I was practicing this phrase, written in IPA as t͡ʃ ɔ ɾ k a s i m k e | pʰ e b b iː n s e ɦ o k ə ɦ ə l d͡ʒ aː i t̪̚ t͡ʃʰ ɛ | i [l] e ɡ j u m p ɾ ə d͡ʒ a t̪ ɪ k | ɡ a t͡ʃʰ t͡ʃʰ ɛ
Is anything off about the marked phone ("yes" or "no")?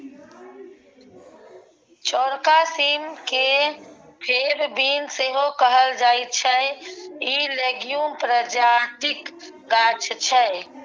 no